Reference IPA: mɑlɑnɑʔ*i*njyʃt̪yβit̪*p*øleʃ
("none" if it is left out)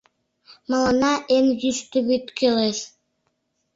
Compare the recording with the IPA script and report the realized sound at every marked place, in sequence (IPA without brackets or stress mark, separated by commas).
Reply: e, k